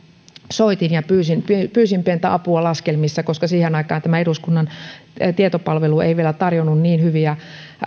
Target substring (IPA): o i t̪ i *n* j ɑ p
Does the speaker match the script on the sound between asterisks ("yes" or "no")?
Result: yes